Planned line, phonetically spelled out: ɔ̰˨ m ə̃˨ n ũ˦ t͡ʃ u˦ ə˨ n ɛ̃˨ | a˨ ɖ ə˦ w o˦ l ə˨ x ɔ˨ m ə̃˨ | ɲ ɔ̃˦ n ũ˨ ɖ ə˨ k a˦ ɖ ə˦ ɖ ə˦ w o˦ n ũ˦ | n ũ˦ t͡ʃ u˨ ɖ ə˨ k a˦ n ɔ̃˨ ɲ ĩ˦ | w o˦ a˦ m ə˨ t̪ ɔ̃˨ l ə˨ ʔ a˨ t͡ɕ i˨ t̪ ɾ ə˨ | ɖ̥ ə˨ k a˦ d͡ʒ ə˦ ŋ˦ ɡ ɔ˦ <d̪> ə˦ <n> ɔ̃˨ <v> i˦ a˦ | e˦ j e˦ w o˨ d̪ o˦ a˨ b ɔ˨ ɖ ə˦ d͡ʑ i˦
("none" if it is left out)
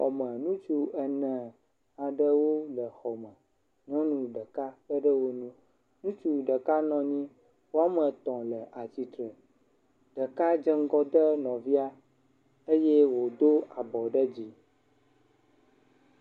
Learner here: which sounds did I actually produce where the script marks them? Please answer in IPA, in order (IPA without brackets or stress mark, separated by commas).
d̪, n, v